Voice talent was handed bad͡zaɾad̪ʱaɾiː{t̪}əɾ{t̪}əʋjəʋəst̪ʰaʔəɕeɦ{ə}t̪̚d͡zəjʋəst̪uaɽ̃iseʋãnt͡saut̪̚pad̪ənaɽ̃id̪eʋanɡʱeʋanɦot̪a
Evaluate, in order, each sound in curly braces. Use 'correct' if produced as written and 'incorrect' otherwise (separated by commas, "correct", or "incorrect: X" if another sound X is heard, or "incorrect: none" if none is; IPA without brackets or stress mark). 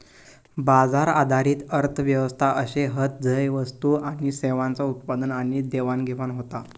correct, incorrect: t̪ʰ, correct